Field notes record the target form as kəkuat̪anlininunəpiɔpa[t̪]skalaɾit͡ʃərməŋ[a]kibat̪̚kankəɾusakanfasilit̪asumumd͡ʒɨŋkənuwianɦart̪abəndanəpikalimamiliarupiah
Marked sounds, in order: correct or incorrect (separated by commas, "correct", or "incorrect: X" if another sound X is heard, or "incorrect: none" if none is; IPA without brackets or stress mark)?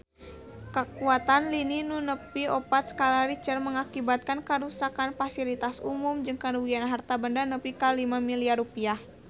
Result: correct, correct